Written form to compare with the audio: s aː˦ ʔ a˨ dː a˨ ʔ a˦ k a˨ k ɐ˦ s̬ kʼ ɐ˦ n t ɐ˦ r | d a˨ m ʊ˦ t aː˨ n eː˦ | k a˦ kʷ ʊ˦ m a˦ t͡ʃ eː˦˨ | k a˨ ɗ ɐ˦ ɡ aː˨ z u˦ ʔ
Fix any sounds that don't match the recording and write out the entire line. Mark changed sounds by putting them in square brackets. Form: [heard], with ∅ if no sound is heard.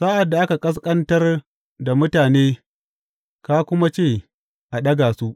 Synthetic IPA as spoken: s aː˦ ʔ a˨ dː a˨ ʔ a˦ k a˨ [kʼ] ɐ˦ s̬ kʼ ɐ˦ n t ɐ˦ r | d a˨ m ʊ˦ t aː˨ n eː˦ | k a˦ kʷ ʊ˦ m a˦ t͡ʃ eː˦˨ | [ʔ] a˨ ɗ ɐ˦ ɡ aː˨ [s] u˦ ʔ